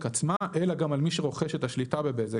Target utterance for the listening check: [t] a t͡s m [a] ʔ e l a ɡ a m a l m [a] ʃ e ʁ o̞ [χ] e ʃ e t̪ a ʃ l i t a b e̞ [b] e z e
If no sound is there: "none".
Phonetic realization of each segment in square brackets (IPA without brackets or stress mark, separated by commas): k, a, i, χ, b